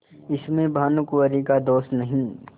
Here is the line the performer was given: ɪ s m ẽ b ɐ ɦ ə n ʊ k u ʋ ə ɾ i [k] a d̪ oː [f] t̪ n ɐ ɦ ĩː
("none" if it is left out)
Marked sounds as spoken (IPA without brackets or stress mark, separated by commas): k, s